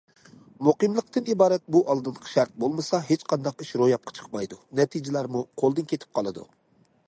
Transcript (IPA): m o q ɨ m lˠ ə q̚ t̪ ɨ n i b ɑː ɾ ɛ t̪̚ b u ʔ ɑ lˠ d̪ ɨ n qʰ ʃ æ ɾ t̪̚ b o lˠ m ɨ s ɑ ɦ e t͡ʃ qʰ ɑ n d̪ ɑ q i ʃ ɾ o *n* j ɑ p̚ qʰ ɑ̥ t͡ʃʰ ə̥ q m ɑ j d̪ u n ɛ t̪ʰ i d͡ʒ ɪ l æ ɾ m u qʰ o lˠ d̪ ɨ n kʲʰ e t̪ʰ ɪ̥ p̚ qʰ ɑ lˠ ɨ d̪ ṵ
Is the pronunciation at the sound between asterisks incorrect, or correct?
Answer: incorrect